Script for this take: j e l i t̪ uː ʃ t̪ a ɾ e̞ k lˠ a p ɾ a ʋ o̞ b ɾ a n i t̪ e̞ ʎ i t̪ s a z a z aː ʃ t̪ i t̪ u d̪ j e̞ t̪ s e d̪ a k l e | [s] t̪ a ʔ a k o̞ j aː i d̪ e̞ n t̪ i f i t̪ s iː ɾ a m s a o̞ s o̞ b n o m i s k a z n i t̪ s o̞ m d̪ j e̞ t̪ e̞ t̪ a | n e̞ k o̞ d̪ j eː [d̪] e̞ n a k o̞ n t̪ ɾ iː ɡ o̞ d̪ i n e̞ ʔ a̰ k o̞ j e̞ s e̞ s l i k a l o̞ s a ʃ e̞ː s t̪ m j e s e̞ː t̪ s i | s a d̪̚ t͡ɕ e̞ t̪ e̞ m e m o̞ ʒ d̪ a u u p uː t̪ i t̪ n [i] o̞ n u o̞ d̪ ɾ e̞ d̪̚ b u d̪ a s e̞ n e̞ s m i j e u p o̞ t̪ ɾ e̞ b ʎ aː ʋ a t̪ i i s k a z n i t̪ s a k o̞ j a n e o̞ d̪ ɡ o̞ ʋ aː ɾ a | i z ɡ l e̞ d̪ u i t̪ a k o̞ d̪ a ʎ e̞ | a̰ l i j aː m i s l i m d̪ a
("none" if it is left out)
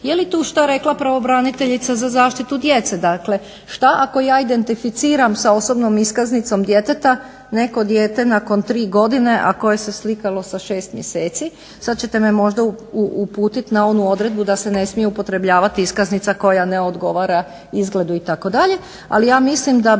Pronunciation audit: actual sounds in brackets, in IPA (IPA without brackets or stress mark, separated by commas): ʃ, t̪, a